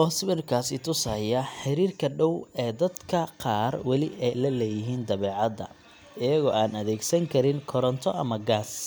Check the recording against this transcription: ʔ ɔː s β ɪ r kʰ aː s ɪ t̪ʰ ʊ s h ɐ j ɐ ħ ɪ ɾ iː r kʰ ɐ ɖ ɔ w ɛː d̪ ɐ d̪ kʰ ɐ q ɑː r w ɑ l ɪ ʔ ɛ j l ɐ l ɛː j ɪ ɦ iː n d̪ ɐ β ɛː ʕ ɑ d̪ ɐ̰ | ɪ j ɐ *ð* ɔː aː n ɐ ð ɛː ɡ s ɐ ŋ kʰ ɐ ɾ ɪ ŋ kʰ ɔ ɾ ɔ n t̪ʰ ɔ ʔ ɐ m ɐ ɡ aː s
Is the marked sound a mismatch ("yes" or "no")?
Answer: yes